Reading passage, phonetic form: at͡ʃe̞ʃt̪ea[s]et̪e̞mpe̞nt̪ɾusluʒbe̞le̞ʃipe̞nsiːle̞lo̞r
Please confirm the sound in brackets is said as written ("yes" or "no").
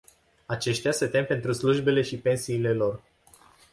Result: yes